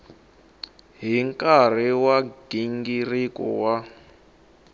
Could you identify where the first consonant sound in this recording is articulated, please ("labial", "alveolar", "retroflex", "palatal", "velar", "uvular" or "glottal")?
glottal